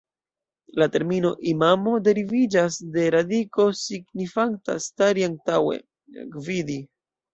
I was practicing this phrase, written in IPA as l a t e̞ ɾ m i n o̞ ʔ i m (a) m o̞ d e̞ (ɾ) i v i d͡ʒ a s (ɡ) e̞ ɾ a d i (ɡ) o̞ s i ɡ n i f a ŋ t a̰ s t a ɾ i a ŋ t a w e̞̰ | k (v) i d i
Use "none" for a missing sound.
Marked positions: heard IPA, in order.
a, ɾ, d, k, v

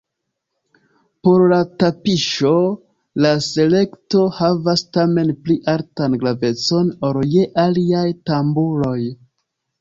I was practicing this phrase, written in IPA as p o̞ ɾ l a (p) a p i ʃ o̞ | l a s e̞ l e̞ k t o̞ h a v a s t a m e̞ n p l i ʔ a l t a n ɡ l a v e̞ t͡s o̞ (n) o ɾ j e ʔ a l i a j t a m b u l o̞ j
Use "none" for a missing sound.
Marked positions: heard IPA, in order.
t, n

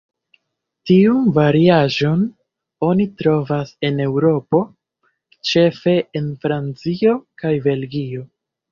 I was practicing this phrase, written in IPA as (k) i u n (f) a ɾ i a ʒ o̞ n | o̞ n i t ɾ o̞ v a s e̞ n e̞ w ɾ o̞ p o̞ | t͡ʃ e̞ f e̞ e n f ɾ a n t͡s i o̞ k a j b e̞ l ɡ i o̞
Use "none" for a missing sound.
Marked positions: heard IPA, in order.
t, v

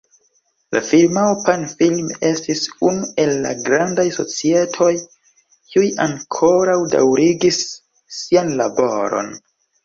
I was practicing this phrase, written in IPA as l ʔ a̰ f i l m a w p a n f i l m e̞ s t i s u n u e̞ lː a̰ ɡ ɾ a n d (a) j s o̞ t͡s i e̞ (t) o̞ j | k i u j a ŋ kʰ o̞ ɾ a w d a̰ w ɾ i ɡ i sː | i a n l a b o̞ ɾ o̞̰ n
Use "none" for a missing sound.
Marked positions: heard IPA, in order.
a, tʰ

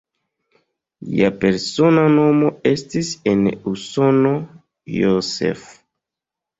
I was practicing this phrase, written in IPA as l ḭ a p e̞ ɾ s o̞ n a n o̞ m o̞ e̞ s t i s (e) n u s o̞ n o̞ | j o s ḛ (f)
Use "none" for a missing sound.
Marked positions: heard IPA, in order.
e, f

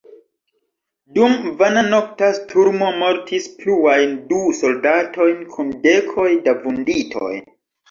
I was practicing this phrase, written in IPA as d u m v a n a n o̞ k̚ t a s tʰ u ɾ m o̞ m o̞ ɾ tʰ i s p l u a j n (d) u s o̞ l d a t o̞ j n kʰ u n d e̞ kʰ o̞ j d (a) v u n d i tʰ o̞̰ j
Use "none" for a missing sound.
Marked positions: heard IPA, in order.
d, a

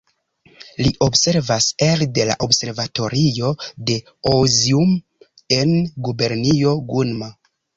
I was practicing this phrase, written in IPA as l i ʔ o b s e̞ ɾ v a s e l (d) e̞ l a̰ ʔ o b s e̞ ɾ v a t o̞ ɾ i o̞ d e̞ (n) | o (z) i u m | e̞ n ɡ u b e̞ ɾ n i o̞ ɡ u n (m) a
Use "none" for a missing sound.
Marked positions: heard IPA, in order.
d, none, z, m

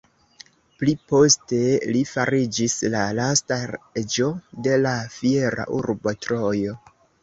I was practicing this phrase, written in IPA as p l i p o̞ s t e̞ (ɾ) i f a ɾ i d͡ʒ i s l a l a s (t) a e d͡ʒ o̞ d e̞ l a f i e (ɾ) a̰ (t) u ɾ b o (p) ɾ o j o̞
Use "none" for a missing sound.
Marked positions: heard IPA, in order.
l, t, ɾ, ʔ, t

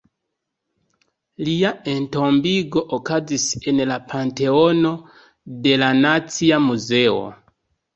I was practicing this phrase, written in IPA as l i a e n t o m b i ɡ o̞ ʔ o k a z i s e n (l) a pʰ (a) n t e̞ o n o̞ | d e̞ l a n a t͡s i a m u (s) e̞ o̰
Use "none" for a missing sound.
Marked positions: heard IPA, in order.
l, a, z

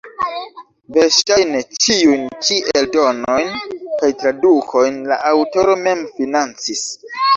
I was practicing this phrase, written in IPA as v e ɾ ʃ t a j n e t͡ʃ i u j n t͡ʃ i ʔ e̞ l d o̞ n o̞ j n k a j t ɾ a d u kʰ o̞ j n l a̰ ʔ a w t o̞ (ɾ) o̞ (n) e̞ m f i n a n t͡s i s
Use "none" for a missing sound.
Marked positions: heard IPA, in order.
ɾ, m

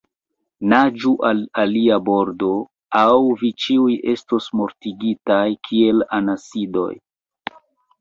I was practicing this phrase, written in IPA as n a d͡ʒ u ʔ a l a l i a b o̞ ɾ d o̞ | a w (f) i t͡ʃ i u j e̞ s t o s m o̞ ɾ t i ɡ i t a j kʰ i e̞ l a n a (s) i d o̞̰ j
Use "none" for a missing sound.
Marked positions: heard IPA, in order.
v, s

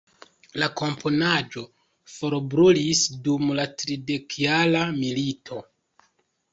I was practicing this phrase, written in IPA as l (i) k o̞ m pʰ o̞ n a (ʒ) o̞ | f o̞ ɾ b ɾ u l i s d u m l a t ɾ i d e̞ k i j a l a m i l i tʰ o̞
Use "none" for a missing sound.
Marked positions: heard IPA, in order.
a, d͡ʒ

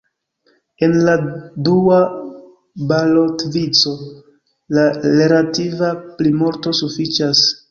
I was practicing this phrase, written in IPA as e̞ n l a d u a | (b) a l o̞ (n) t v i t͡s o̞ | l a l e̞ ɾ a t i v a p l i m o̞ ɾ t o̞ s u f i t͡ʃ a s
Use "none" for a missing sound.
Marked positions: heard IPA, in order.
b, none

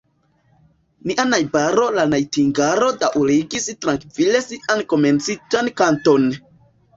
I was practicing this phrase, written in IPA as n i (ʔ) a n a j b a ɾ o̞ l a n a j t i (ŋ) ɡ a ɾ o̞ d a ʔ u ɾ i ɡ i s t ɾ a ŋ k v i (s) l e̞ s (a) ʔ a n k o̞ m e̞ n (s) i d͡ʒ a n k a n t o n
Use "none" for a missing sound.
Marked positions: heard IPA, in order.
ʔ, ŋ, none, i, t͡s

